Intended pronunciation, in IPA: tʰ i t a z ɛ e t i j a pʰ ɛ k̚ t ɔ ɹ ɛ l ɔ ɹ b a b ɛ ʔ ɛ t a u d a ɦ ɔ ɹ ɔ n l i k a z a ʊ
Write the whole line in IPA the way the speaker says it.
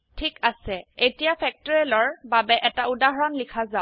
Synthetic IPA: tʰ i k a s ɛ e t i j a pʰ ɛ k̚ t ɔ ɹ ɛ l ɔ ɹ b a b ɛ ʔ ɛ t a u d a ɦ ɔ ɹ ɔ n l i kʰ a z a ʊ